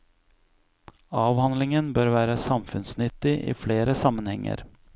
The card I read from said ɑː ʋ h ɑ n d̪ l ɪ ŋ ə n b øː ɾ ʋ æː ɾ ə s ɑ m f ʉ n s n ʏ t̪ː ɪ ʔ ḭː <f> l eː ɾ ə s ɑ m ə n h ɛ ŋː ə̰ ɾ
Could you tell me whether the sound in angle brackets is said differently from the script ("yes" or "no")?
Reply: no